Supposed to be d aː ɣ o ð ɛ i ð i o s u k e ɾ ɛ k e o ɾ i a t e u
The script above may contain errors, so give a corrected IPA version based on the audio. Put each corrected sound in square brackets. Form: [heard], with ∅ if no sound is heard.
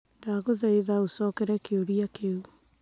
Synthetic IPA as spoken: d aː ɣ o ð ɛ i ð [a] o s [ɔ] k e ɾ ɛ k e o ɾ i a [k] e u